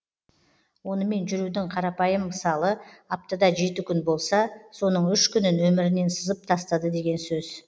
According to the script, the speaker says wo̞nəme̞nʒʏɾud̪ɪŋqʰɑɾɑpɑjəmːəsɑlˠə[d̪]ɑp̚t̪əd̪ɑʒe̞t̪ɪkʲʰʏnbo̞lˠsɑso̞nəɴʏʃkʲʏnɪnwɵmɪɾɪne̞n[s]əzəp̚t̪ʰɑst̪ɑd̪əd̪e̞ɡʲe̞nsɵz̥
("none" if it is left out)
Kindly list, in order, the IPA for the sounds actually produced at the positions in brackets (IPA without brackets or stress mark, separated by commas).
none, s